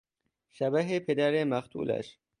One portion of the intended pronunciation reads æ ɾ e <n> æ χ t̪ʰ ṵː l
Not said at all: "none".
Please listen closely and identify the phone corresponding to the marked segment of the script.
m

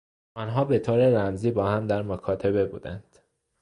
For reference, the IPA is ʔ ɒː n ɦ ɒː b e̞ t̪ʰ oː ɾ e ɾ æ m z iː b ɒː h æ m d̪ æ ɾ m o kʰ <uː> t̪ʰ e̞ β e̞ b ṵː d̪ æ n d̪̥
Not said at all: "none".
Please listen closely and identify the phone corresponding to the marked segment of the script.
ɒː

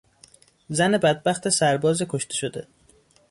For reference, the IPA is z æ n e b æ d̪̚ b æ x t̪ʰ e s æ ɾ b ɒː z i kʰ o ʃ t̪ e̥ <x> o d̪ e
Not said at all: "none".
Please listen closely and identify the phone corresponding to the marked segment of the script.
ʃ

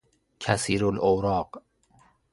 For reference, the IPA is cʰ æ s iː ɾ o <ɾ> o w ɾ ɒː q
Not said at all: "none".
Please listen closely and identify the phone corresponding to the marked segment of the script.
l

